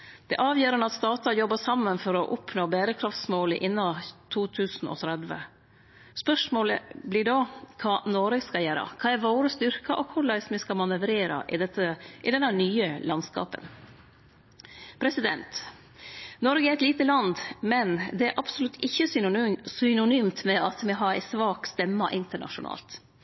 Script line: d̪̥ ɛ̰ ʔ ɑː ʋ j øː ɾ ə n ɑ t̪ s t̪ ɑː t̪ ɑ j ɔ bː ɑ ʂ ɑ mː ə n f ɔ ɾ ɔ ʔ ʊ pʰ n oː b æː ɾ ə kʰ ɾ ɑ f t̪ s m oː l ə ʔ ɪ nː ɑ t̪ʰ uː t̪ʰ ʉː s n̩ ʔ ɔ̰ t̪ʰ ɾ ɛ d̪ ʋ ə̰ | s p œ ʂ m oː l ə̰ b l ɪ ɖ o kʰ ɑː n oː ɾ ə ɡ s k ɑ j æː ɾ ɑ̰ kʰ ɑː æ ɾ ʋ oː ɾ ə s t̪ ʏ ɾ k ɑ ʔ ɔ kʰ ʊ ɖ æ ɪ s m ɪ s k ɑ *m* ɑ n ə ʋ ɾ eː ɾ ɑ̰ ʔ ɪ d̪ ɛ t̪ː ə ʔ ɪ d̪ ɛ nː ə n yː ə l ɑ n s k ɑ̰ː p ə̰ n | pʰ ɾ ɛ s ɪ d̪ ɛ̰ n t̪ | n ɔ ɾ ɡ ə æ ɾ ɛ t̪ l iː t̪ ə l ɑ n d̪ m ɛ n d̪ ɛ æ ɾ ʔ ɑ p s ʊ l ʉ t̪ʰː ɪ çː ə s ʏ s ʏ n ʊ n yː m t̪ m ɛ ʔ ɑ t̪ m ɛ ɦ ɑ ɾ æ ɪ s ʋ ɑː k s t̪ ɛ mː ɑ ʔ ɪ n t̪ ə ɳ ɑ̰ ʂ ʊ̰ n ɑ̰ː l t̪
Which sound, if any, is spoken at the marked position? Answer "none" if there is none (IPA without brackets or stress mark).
m